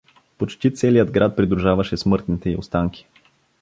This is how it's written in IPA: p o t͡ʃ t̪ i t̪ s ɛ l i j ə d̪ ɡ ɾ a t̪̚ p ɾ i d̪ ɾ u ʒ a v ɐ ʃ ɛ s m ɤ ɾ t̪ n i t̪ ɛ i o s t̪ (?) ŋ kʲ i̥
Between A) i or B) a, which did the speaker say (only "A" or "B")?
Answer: B